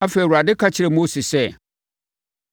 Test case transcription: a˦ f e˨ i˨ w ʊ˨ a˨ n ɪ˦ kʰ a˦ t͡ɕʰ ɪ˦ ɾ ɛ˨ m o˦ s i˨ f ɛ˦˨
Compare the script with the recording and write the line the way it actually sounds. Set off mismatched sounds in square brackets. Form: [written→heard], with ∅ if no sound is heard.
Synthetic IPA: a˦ f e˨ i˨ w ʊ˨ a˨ [n→d] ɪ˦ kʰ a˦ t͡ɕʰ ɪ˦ ɾ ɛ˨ m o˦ s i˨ [f→s] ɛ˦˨